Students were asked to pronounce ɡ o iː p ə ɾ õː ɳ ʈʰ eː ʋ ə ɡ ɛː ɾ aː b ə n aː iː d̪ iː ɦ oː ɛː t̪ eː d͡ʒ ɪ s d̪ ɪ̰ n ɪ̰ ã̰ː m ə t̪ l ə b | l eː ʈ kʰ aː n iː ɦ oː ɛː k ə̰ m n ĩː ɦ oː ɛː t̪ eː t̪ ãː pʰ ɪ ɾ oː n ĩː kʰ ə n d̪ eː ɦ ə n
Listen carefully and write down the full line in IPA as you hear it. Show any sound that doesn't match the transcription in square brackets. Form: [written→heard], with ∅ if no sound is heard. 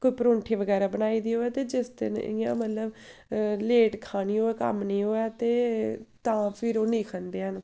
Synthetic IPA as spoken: [ɡ→k] o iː p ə ɾ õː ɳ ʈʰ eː ʋ ə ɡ ɛː ɾ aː b ə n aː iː d̪ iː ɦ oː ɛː t̪ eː d͡ʒ ɪ s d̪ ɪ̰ n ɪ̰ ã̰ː m ə t̪ l ə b | l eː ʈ kʰ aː n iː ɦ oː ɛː k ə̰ m n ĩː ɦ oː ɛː t̪ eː t̪ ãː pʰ ɪ ɾ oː n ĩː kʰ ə n d̪ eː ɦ ə n

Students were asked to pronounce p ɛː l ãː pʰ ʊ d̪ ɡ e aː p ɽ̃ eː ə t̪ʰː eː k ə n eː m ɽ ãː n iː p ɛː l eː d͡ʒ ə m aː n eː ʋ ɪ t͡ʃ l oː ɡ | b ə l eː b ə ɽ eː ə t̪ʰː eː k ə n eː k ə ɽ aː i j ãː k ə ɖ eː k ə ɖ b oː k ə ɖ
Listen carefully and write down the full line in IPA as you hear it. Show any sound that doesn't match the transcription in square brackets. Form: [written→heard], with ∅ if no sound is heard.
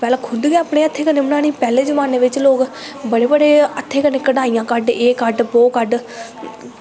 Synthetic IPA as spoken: p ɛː l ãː [pʰ→kʰ] ʊ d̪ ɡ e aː p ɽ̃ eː ə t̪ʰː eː k ə n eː m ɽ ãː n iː p ɛː l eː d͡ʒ ə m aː n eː ʋ ɪ t͡ʃ l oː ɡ | b ə [l→ɽ] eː b ə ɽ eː ə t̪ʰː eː k ə n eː k ə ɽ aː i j ãː k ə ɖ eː k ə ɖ b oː k ə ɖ

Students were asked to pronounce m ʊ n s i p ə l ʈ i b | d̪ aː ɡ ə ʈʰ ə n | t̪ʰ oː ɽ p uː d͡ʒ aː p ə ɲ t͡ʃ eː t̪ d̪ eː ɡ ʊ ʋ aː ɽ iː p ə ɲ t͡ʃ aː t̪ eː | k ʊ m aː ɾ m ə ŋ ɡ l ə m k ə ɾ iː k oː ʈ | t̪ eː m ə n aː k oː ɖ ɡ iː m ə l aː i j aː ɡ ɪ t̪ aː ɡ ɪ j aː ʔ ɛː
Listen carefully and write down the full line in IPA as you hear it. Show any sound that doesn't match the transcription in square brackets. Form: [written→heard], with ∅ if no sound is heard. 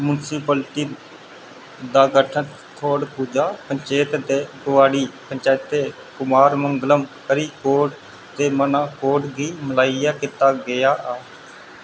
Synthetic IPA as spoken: m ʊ n s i p ə l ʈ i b | d̪ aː ɡ ə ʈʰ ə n | t̪ʰ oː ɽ p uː d͡ʒ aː p ə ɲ t͡ʃ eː t̪ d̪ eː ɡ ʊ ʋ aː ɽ iː p ə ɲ t͡ʃ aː t̪ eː | k ʊ m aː ɾ m ə ŋ ɡ l ə m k ə ɾ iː k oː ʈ | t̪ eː m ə n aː k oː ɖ ɡ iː m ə l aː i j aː [ɡ→k] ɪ t̪ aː ɡ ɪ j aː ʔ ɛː

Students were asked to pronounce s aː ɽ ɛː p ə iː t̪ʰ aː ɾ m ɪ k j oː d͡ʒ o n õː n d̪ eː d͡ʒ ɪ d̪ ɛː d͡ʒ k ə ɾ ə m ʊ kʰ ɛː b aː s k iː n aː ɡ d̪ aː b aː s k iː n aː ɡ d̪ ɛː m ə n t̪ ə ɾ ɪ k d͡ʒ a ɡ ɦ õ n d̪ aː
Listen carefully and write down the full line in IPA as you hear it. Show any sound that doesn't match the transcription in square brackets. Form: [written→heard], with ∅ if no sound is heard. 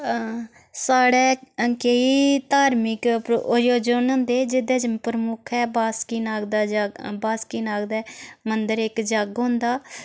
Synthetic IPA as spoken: s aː ɽ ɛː [p→k] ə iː [t̪ʰ→t̪] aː ɾ m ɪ k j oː d͡ʒ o n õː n d̪ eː d͡ʒ ɪ d̪ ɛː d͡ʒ [k→p] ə ɾ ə m ʊ kʰ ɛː b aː s k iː n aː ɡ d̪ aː b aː s k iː n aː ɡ d̪ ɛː m ə n [t̪→d̪] ə ɾ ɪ k d͡ʒ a ɡ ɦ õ n d̪ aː

